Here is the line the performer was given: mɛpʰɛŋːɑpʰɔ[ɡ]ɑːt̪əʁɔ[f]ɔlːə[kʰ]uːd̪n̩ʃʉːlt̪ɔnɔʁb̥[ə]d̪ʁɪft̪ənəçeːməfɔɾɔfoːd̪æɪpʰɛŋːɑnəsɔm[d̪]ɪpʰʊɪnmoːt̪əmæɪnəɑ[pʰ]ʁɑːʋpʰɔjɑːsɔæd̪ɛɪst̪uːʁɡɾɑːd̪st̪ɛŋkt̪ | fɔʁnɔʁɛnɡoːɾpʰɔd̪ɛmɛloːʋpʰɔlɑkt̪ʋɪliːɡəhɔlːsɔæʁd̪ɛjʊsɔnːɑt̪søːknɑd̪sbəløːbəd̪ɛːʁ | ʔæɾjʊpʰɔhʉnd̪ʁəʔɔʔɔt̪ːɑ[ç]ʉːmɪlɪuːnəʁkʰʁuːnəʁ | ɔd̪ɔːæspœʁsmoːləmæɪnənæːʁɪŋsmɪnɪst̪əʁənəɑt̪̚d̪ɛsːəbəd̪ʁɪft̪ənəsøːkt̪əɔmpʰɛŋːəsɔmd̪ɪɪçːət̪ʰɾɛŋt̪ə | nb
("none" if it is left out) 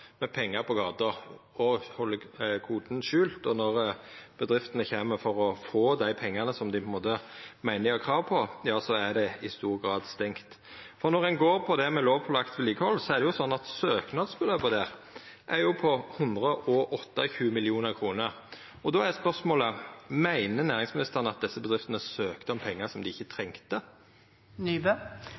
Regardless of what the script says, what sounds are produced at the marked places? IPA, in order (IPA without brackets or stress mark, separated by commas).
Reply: ɡ, h, kʰ, ə, d̪, kʰ, ç